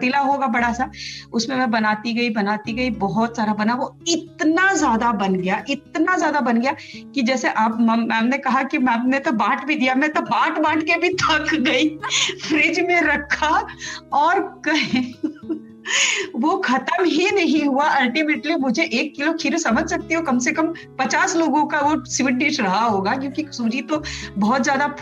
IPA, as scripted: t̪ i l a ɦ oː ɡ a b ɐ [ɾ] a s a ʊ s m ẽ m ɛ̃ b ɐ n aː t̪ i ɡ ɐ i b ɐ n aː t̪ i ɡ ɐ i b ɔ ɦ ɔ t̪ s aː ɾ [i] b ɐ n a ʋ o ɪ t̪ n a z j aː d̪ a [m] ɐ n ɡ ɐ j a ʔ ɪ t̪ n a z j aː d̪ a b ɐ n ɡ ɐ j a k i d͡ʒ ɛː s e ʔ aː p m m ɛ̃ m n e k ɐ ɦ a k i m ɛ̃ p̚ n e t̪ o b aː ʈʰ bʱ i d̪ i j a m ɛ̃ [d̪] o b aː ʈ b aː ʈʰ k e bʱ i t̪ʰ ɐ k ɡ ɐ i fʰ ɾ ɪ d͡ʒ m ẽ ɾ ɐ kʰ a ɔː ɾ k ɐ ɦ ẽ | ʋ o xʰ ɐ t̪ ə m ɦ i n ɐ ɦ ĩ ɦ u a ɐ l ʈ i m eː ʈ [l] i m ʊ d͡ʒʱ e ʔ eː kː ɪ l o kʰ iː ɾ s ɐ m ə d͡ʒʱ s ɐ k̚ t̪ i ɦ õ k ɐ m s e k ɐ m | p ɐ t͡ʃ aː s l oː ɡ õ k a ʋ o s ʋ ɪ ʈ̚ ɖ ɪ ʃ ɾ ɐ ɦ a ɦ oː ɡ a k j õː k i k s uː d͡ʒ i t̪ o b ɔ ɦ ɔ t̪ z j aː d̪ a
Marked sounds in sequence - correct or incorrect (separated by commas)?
incorrect, incorrect, incorrect, incorrect, correct